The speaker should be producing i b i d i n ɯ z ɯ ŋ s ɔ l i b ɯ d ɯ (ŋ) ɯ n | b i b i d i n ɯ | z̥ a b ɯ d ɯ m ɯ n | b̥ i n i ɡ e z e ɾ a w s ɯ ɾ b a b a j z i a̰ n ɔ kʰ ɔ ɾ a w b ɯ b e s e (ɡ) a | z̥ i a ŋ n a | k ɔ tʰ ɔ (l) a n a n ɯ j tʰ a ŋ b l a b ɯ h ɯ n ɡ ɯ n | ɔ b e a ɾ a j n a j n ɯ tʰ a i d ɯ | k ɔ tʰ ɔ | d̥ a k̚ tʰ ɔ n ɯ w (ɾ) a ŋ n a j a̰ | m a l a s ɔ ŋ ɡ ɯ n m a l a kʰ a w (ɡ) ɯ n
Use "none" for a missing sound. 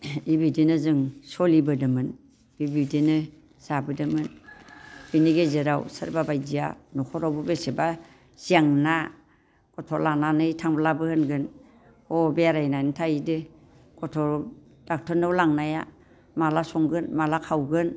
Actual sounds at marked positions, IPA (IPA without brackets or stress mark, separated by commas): m, b, l, l, ɡ